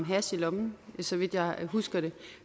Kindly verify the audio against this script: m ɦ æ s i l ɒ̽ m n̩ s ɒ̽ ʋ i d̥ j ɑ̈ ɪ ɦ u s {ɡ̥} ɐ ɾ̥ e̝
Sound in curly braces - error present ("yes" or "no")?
no